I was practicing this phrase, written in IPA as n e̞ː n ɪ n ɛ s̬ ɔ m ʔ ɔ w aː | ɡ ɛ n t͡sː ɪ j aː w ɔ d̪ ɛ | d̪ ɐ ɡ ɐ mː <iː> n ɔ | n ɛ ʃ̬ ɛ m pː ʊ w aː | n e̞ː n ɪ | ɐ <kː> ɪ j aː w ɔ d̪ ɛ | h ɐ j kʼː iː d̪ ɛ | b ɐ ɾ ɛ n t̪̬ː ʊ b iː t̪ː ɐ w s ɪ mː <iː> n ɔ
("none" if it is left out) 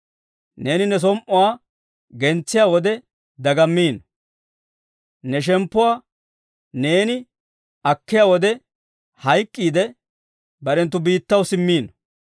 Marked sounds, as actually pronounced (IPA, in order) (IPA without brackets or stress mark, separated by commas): iː, kː, iː